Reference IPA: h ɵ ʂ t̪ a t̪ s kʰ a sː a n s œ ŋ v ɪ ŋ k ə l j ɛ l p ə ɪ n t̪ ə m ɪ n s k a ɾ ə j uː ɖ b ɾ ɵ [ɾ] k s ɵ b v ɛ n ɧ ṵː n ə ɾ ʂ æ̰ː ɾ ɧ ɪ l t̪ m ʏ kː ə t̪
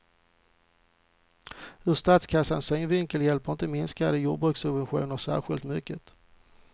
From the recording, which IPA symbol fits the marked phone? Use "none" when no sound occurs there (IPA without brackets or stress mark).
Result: none